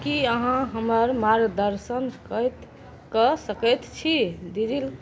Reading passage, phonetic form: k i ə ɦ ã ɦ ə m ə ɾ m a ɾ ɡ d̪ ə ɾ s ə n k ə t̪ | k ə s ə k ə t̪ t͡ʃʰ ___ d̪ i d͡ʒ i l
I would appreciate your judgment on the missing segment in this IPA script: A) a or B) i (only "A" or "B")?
B